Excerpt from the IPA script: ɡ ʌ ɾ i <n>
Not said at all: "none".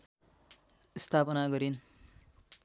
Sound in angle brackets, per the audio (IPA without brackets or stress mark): n